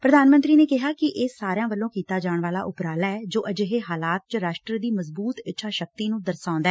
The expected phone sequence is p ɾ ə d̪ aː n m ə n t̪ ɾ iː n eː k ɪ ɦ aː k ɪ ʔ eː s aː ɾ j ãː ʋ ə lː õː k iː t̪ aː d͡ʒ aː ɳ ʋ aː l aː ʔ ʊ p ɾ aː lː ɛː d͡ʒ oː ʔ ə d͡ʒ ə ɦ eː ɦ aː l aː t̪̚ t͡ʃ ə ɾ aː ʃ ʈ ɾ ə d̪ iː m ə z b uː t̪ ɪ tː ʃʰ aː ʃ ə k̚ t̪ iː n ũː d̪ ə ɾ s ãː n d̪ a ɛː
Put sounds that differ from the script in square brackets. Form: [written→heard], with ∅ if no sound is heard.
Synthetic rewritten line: p ɾ ə d̪ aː n m ə n t̪ ɾ iː n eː k ɪ ɦ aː k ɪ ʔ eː s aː ɾ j ãː ʋ ə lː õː k iː t̪ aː d͡ʒ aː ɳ ʋ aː l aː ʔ ʊ p ɾ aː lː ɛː d͡ʒ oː ʔ ə d͡ʒ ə ɦ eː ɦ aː l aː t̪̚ t͡ʃ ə ɾ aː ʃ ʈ ɾ ə d̪ iː m ə z b uː t̪ ɪ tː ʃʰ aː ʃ ə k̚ t̪ iː n ũː d̪ ə ɾ s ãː n d̪ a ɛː